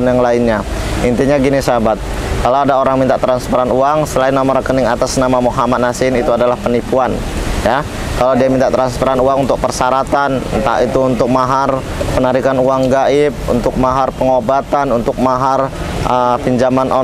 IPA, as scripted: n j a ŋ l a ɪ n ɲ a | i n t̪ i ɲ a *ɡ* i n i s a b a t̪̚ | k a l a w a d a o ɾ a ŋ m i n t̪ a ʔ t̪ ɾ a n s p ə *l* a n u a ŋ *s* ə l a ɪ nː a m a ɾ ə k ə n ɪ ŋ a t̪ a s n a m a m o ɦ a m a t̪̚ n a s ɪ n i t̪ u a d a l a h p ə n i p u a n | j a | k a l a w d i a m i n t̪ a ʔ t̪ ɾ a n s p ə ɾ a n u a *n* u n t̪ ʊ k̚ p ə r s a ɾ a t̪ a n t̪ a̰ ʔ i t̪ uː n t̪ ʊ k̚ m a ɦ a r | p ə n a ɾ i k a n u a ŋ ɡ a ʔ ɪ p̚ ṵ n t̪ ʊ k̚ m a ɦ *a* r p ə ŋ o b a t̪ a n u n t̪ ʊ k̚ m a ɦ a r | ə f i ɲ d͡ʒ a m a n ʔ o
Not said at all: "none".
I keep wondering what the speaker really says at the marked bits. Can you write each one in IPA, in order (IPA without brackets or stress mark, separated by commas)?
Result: ɡ, ɾ, s, ŋ, a